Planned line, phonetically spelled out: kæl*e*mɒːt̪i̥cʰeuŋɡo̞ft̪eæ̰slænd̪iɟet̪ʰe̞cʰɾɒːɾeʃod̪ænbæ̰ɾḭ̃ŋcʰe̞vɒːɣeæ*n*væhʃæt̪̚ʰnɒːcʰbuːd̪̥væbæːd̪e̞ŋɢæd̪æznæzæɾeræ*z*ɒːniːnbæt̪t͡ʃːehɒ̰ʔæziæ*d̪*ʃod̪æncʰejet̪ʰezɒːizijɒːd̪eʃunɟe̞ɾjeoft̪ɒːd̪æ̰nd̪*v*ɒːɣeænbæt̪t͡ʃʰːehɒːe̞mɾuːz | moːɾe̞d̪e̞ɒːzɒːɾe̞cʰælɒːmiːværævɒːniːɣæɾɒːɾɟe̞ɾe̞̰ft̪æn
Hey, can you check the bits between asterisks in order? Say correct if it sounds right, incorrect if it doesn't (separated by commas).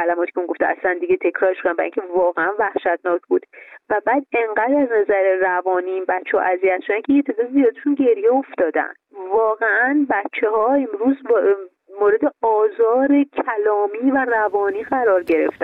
incorrect, correct, incorrect, incorrect, correct